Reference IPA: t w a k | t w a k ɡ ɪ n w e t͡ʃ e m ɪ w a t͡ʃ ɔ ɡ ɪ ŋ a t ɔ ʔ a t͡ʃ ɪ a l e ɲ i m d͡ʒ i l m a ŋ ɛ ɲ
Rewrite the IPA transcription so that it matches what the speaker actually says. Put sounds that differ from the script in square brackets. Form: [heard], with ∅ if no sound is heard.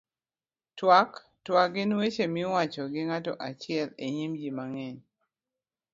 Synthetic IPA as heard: t w a k | t w a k ɡ ɪ n w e t͡ʃ e m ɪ w a t͡ʃ ɔ ɡ ɪ ŋ a t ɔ ʔ a t͡ʃ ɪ [ɛ] l e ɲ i m d͡ʒ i [∅] m a ŋ ɛ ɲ

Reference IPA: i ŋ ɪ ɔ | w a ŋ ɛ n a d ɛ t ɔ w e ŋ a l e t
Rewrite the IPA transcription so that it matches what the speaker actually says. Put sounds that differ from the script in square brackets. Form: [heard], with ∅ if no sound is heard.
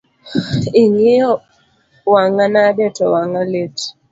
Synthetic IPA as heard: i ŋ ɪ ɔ | w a ŋ [a] n a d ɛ t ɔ w [a] ŋ a l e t

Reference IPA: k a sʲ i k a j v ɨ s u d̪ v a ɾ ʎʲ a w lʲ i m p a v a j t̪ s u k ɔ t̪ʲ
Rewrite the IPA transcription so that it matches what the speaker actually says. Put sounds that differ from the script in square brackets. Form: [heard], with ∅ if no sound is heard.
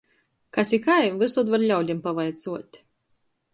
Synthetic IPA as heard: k a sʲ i k a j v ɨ s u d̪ v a ɾ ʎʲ a w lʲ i m p a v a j t̪ s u [∅] ɔ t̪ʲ

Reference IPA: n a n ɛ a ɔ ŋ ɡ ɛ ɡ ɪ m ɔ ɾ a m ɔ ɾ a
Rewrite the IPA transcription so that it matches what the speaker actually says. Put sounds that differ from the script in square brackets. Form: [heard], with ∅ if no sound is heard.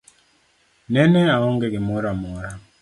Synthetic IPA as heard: n [ɛ] n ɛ a ɔ ŋ ɡ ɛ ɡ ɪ m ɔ ɾ a m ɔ ɾ a

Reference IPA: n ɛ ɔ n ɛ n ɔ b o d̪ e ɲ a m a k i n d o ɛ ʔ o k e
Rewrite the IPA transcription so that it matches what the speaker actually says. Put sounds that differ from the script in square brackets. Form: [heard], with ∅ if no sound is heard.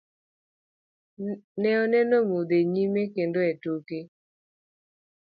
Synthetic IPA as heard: n ɛ ɔ n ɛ n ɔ [m] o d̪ e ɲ [i] m [e] k [e] n d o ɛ [t] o k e

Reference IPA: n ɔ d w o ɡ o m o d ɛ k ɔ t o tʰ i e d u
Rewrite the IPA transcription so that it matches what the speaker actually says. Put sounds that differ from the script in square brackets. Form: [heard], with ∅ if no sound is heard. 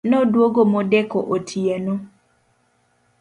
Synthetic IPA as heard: n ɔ d w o ɡ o m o d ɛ k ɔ [ʔ] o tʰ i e [n] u

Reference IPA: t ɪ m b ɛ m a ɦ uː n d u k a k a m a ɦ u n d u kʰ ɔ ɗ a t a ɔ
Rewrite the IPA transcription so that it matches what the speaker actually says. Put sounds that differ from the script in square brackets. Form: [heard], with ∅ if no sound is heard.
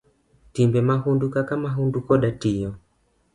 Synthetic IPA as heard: t [i] m b ɛ m a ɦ [u] n d u k a k a m a ɦ u n d u [k] ɔ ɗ a t [i] ɔ

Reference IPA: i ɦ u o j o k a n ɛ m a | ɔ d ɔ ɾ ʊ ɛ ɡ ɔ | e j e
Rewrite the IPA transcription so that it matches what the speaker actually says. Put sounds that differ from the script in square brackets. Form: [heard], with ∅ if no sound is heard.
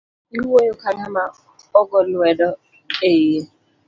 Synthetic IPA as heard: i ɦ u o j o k a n [a] m a | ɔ [ɡ] ɔ [l] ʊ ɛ [d] ɔ | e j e

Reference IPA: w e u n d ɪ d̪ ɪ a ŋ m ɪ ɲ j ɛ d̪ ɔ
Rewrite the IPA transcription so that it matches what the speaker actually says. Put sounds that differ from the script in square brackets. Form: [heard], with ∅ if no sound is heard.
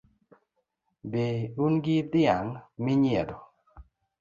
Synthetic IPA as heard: [b] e u n [ɡ] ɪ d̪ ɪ a ŋ m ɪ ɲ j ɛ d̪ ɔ

